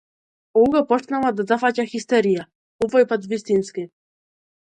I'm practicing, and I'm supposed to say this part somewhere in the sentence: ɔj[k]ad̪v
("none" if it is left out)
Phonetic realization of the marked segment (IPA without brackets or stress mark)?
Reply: p